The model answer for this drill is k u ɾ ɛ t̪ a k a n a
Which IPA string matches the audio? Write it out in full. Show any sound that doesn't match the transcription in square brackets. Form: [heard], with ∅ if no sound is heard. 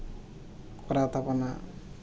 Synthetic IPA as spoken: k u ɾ [a] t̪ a [p] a n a